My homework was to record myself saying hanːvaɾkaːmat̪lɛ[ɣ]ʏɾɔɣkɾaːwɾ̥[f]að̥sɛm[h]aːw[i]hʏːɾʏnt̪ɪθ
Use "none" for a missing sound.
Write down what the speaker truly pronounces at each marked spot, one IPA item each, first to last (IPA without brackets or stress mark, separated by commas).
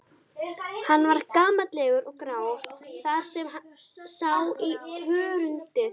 ɣ, θ, s, i